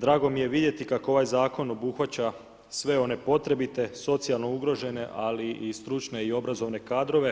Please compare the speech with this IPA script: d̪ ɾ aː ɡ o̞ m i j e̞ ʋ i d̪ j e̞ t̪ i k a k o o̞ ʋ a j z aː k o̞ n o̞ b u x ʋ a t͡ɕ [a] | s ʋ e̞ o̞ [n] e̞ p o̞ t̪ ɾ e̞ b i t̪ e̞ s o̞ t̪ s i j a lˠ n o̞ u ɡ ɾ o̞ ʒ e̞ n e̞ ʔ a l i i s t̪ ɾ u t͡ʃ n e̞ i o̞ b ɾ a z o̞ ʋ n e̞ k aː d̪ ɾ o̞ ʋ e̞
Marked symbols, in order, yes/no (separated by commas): yes, yes